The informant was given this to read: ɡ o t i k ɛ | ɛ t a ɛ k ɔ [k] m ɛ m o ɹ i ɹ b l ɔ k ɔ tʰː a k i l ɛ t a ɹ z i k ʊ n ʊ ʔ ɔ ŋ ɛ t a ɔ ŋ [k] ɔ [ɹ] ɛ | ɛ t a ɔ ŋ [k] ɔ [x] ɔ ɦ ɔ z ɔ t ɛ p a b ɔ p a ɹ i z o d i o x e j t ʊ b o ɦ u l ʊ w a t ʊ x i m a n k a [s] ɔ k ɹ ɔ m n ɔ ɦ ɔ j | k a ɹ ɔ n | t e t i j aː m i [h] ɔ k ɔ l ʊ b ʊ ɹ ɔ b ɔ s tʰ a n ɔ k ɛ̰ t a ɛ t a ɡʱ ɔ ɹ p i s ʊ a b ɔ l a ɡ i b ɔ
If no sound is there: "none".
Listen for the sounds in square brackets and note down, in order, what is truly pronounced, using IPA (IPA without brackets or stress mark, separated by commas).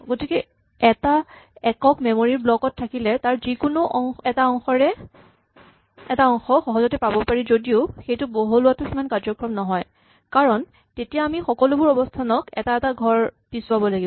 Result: k, x, ɹ, x, x, z, x